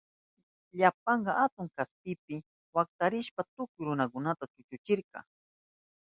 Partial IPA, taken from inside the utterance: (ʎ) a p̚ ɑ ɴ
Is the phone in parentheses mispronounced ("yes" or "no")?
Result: no